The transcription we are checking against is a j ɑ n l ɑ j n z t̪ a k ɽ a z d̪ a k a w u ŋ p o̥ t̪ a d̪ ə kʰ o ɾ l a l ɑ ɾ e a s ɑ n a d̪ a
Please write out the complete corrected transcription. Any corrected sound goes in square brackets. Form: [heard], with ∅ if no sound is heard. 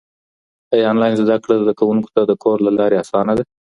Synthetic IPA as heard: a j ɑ n l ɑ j n z [d̪] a k ɽ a z d̪ a k a w u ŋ [k] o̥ t̪ a d̪ ə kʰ o ɾ l a l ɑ ɾ e a s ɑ n a d̪ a